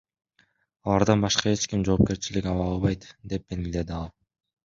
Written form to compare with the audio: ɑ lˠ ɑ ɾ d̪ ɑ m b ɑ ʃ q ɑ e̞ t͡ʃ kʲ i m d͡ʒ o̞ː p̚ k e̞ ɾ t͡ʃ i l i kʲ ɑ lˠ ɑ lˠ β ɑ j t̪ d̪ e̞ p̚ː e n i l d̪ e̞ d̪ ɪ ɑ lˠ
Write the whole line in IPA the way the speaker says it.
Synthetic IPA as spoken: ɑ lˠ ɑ ɾ d̪ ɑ n b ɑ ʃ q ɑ e̞ t͡ʃ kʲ i m d͡ʒ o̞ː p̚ k e̞ ɾ t͡ʃ i l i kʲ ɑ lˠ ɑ lˠ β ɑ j t̪ d̪ e̞ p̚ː e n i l d̪ e̞ d̪ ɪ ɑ lˠ

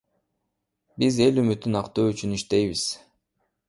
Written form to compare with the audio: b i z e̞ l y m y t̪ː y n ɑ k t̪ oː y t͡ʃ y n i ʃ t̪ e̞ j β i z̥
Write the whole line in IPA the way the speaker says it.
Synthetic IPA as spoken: b i z e̞ l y m y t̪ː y n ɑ q t̪ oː y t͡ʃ y n i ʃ t̪ e̞ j β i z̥

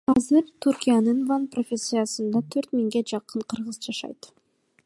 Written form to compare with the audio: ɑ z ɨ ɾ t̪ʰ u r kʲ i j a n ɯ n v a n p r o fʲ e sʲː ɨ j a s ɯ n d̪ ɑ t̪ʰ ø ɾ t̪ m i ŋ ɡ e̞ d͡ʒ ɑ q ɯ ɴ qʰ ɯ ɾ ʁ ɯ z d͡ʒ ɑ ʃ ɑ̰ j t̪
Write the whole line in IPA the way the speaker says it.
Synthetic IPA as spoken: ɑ z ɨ ɾ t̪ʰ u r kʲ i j a n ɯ n v a n p r o fʲ e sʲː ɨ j a s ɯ n d̪ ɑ t̪ʰ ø ɾ t̪ m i ŋ ɡ e̞ d͡ʒ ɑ q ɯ ɴ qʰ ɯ ɾ ʁ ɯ z d͡ʒ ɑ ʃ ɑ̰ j t̪

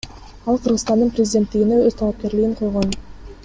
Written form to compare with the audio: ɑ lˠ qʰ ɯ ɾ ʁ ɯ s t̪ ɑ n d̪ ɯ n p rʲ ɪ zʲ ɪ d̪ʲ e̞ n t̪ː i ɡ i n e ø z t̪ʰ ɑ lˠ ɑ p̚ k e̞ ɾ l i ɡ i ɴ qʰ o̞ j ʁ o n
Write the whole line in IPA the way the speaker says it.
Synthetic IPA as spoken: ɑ lˠ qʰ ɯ ɾ ʁ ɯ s t̪ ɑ n d̪ ɯ n p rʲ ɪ zʲ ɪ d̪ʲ e̞ n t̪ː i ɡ i n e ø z t̪ʰ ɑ lˠ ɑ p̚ k e̞ ɾ l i ɡ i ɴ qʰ o̞ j ʁ o n

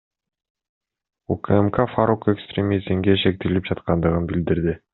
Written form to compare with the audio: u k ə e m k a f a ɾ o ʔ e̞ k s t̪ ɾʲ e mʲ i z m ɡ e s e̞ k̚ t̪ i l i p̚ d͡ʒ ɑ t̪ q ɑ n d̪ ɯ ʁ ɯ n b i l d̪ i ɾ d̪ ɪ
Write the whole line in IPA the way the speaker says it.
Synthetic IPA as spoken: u k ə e m k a f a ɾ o k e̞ k s t̪ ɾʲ e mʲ i z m ɡ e ʃ e̞ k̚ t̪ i l i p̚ d͡ʒ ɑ t̪ q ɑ n d̪ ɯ ʁ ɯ n b i l d̪ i ɾ d̪ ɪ

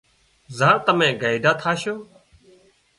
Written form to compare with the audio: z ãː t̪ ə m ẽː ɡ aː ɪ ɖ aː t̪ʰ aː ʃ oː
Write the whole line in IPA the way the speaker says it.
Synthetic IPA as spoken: z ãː t̪ ə m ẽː ɡ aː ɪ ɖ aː t̪ʰ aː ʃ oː

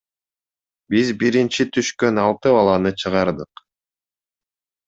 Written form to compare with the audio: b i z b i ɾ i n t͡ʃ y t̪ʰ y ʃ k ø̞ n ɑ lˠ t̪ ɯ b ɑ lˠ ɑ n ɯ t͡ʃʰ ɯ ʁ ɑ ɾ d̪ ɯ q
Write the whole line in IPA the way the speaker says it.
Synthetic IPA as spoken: b i z b i ɾ i n t͡ʃ i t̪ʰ y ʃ k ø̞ n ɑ lˠ t̪ ɯ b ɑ lˠ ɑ n ɯ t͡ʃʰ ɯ ʁ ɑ ɾ d̪ ɯ q

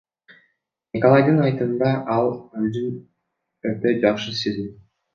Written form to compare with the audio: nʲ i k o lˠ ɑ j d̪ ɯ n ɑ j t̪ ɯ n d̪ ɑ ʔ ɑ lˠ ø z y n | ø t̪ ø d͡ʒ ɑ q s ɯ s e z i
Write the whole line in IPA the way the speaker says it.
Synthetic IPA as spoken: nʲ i k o lˠ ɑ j d̪ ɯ n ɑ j t̪ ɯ n d̪ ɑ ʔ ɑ lˠ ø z y n | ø t̪ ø d͡ʒ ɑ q ʃ ɯ s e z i

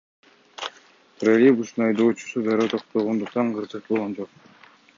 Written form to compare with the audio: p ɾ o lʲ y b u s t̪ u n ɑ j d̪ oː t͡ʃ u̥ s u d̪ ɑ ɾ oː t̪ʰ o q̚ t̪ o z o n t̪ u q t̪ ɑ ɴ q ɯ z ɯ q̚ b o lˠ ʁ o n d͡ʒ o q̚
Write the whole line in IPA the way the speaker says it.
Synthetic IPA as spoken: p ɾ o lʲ i b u s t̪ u n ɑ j d̪ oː t͡ʃ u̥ s u d̪ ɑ ɾ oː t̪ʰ o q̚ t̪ o ʁ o n d̪ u q t̪ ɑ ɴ q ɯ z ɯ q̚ b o lˠ ʁ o n d͡ʒ o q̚

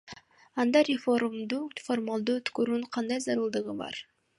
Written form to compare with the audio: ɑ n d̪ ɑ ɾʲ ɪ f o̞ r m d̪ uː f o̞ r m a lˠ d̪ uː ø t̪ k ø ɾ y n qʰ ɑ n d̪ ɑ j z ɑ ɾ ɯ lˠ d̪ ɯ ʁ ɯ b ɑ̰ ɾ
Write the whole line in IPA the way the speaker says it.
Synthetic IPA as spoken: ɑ n d̪ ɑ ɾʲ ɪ f o̞ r m d̪ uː f o̞ r m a lˠ d̪ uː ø t̪ k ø ɾ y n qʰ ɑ n d̪ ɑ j z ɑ ɾ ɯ lˠ d̪ ɯ ʁ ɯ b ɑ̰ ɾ

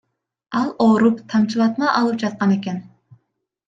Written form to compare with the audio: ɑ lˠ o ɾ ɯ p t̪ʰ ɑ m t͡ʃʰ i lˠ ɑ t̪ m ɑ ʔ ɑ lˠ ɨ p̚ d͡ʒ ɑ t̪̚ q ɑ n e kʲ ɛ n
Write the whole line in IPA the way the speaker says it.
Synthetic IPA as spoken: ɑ lˠ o ɾ u p t̪ʰ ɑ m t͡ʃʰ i lˠ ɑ t̪ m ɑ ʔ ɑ lˠ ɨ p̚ d͡ʒ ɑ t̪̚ q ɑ n e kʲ ɛ n

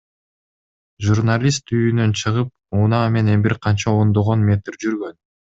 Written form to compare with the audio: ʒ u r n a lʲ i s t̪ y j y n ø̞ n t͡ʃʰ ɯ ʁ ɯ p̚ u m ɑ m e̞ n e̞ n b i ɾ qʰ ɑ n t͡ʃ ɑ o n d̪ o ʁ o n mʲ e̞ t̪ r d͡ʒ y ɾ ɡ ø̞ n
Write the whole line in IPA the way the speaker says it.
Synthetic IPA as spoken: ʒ u r n a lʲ i s t̪ y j y n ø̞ n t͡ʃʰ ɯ ʁ ɯ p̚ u n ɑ m e̞ n e̞ n b i ɾ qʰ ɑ n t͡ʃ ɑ o n d̪ o ʁ o n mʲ e̞ t̪ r d͡ʒ y ɾ ɡ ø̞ n

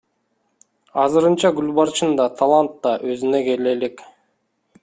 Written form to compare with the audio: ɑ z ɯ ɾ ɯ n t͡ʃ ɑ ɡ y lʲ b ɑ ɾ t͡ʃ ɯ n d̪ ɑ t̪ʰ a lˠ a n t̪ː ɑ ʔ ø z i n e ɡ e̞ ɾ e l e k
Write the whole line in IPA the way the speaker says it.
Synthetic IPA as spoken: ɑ z ɯ ɾ ɯ n t͡ʃ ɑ ɡ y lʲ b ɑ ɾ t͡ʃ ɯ n d̪ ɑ t̪ʰ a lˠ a n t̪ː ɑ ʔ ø z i n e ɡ e̞ l e l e k

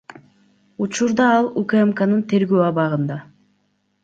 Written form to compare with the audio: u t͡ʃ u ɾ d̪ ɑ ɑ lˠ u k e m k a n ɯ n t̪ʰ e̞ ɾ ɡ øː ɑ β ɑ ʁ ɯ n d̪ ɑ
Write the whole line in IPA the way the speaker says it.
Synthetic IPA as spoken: u t͡ʃ u ɾ d̪ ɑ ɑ lˠ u k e m k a n ɯ n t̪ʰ e̞ ɾ ɡ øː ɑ β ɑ ʁ ɯ n d̪ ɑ

